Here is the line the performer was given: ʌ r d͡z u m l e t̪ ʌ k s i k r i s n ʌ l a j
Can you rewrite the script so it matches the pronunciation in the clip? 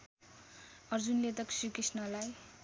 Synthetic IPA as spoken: ʌ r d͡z u n l e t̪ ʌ k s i k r i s n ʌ l a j

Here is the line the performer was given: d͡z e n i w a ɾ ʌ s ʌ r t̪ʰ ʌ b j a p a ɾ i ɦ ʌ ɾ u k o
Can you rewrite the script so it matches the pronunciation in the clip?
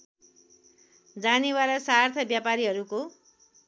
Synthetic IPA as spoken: d͡z a n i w a ɾ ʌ s a r t̪ʰ ʌ b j a p a ɾ i ɦ ʌ ɾ u k o

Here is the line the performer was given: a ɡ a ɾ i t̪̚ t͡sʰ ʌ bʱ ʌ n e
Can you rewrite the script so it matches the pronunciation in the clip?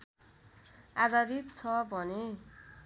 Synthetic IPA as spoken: a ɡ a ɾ i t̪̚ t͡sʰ ʌ bʱ ʌ n e

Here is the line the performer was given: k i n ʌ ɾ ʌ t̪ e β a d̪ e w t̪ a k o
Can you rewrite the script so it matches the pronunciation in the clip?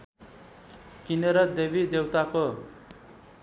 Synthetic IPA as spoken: k i n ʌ ɾ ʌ d̪ e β i d̪ e w t̪ a k o

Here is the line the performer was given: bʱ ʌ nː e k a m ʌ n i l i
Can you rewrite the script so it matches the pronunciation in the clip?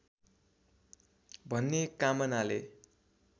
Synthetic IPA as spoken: bʱ ʌ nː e k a m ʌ n a l e

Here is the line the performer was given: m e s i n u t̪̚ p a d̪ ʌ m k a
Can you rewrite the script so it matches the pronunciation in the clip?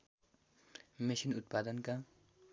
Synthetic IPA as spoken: m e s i n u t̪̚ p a d̪ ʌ n k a

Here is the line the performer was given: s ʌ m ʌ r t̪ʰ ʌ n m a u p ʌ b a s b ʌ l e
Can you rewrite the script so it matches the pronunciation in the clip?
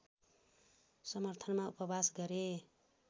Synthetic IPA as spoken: s ʌ m ʌ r t̪ʰ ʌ n m a u p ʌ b a s ɡ ʌ ɾ e

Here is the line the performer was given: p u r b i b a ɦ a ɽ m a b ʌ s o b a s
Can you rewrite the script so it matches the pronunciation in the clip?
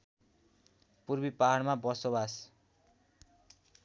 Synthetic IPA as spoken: p u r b i p a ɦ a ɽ m a b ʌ s o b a s

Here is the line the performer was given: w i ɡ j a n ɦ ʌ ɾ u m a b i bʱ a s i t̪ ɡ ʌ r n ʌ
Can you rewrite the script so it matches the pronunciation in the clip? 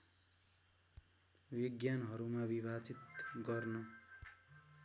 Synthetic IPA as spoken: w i ɡ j a n ɦ ʌ ɾ u m a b i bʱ a t͡s i t̪ ɡ ʌ r n ʌ

